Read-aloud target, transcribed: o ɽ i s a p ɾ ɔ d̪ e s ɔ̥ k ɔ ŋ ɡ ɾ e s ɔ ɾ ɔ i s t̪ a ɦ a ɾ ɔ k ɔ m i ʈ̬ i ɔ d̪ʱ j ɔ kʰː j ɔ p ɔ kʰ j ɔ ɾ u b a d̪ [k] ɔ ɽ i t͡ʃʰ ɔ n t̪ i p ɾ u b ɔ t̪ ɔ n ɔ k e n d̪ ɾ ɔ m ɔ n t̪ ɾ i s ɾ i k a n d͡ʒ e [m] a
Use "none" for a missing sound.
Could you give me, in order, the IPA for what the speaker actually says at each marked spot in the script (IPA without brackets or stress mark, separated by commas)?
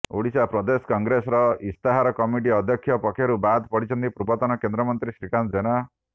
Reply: p, n